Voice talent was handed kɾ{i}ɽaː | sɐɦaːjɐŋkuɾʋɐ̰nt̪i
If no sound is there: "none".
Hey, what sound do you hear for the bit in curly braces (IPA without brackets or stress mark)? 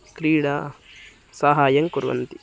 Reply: iː